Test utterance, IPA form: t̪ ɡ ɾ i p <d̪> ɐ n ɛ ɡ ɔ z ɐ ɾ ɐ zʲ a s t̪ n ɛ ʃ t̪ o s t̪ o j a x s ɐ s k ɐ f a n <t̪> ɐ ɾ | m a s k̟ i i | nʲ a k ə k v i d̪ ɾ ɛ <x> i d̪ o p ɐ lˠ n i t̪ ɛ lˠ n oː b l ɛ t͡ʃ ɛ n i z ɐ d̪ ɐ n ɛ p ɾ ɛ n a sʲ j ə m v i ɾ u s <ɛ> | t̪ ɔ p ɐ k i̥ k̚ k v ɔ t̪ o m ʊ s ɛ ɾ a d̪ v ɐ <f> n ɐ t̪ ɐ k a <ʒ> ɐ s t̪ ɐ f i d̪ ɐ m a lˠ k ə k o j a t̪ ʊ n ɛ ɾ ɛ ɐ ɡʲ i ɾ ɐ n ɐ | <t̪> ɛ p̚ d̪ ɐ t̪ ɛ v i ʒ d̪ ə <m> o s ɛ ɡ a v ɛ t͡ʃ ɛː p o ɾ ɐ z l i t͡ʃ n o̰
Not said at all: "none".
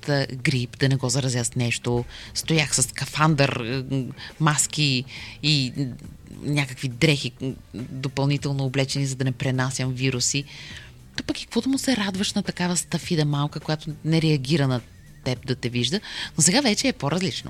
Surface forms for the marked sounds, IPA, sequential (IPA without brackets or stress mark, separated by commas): d̪, d̪, x, i, ʃ, v, t̪, n